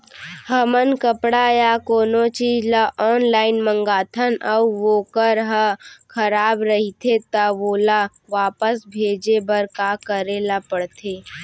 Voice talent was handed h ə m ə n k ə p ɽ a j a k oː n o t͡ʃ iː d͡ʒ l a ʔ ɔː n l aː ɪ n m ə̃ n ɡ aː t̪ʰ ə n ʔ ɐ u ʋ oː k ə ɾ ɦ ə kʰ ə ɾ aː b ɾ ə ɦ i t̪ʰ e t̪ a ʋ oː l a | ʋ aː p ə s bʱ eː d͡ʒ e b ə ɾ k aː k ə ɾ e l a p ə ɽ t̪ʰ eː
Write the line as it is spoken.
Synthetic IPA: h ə m ə n k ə p ɽ a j a k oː n o t͡ʃ iː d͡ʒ l a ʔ ɔː n l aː ɪ n m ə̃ ŋ ɡ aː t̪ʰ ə n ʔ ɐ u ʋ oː k ə ɾ ɦ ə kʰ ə ɾ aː b ɾ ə ɦ i t̪ʰ e t̪ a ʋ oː l a | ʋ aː p ə s bʱ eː d͡ʒ e b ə ɾ k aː k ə ɾ e l a p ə ɽ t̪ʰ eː